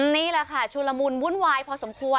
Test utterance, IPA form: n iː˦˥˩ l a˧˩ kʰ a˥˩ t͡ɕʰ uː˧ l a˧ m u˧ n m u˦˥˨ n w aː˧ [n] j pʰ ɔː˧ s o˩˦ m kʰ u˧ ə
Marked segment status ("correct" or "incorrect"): incorrect